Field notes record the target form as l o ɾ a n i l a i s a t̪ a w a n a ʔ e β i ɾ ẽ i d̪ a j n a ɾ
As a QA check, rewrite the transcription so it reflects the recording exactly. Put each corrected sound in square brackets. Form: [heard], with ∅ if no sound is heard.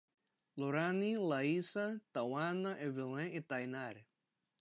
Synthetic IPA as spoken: l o ɾ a n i l a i s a t̪ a w a n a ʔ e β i [l] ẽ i [t̪] a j n a ɾ